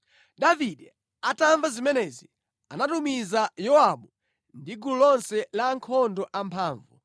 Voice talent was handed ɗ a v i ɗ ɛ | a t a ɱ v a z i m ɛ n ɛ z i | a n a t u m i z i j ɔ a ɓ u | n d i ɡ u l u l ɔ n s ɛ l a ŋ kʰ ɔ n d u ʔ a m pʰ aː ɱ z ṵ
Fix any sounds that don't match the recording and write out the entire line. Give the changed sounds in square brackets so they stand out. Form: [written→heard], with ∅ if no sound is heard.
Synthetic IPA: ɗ a v i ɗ ɛ | a t a ɱ v a z i m ɛ n ɛ z i | a n a t u m i z [i→a] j ɔ a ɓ u | n d i ɡ u l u l ɔ n s ɛ l a ŋ kʰ ɔ n d [u→ɔ] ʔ a m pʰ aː ɱ [z→v] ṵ